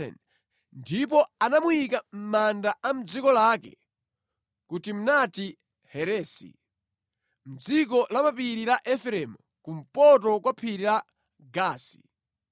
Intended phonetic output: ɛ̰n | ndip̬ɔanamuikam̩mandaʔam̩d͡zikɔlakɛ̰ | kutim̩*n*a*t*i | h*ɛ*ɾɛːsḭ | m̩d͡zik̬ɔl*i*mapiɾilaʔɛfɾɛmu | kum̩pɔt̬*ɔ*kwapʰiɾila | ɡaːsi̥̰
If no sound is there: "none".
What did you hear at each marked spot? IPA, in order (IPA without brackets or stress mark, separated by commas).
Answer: n, t, ɛ, a, ɔ